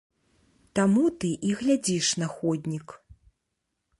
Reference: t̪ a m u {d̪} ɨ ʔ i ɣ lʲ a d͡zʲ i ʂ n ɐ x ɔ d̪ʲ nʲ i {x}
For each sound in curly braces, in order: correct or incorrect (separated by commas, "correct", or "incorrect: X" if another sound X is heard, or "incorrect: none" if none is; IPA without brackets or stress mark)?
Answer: incorrect: t̪, incorrect: k